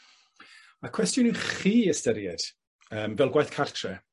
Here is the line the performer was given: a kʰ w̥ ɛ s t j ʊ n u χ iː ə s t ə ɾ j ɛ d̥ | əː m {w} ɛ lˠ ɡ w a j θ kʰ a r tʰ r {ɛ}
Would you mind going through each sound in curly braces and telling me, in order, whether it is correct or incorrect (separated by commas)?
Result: incorrect, correct